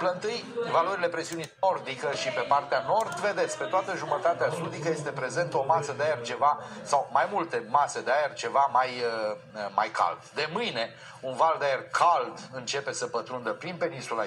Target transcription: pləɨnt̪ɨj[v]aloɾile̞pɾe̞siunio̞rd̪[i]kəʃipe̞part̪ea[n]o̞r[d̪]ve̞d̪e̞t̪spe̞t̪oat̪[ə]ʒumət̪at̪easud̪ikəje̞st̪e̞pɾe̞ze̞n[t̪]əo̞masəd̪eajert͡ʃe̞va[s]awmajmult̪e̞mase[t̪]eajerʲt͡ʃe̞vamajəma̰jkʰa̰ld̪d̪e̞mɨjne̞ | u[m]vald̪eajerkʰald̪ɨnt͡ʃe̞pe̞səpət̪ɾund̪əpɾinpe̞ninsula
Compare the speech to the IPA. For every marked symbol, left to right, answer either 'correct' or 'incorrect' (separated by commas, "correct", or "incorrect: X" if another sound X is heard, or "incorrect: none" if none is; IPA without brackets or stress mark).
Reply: correct, correct, correct, correct, correct, correct, correct, incorrect: d̪, incorrect: n